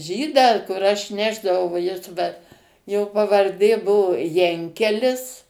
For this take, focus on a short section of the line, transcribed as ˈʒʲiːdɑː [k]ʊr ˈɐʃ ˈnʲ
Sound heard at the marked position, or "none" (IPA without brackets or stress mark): k